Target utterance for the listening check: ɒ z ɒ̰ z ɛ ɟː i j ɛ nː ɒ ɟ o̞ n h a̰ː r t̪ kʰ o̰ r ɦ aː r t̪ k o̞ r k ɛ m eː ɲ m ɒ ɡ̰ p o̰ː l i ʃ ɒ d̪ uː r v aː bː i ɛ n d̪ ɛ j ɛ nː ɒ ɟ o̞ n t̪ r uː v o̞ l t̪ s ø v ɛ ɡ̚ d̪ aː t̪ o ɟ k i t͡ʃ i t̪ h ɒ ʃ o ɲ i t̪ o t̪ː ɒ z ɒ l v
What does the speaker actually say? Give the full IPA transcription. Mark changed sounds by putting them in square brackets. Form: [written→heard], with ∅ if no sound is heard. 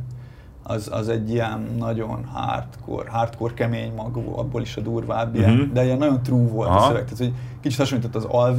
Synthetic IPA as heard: ɒ z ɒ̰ z ɛ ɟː i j ɛ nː ɒ ɟ o̞ n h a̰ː r t̪ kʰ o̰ r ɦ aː r t̪ k o̞ r k ɛ m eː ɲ m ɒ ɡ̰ [p→b] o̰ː l i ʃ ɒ d̪ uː r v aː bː i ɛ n d̪ ɛ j ɛ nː ɒ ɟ o̞ n t̪ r uː v o̞ l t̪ s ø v ɛ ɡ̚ [d̪→t̪] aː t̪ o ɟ k i t͡ʃ i t̪ h ɒ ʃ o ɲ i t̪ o t̪ː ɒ z ɒ l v